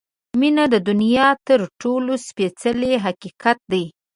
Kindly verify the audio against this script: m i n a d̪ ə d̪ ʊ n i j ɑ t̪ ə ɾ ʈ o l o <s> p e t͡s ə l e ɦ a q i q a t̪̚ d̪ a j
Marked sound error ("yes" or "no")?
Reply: no